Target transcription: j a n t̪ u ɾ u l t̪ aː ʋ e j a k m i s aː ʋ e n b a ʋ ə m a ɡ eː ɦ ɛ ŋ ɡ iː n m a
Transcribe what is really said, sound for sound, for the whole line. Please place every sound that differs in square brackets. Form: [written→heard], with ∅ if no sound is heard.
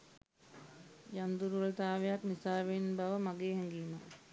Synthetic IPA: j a n [t̪→d̪] u ɾ u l t̪ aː ʋ e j a k [m→n] i s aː ʋ e n b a ʋ ə m a ɡ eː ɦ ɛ ŋ ɡ iː [n→∅] m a